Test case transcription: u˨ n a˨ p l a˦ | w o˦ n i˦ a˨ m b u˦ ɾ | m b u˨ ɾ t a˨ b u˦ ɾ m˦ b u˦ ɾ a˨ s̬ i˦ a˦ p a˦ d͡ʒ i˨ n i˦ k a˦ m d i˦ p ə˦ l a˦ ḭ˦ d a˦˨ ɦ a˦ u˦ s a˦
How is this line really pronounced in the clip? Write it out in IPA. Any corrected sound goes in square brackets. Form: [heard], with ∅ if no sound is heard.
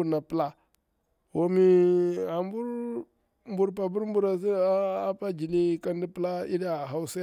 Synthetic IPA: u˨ n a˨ p l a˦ | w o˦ [m] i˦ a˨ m b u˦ ɾ | m b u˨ ɾ [p] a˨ b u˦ ɾ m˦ b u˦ ɾ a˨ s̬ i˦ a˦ p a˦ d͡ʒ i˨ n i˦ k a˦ [n] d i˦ p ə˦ l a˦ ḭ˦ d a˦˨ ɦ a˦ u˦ s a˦